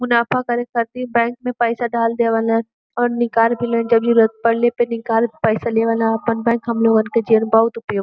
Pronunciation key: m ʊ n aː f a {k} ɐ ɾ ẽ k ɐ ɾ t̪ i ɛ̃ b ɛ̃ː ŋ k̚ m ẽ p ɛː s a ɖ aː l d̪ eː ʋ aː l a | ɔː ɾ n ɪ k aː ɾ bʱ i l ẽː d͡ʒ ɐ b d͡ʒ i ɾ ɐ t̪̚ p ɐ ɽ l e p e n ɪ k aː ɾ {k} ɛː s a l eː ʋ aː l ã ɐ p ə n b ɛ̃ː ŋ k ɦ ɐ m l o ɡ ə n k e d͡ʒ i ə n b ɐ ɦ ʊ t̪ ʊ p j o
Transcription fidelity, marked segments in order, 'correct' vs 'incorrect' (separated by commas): correct, incorrect